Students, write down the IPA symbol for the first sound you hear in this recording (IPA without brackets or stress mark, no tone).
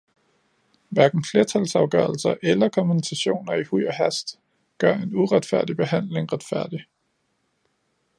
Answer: ʋ